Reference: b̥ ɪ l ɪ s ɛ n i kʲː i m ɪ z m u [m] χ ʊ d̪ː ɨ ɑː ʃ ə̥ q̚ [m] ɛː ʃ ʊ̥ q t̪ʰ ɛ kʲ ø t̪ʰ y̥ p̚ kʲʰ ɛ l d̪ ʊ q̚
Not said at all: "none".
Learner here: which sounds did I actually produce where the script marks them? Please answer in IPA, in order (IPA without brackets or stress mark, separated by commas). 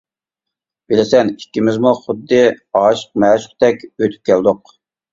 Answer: none, m